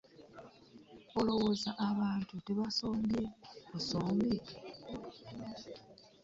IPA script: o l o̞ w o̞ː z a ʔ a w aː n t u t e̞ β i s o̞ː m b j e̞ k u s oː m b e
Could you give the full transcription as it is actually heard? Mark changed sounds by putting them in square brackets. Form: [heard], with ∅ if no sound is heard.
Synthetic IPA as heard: o l o̞ w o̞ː z a ʔ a [β] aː n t u t e̞ β [a] s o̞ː m b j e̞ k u s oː m b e